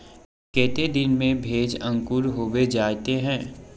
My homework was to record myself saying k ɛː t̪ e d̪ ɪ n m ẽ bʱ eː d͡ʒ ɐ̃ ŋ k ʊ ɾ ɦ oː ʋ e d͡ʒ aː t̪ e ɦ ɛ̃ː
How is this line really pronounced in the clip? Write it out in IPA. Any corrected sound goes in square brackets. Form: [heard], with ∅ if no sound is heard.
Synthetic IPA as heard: k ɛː t̪ e d̪ ɪ n m ẽ bʱ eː d͡ʒ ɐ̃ ŋ k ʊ ɾ ɦ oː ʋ e d͡ʒ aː t̪ e ɦ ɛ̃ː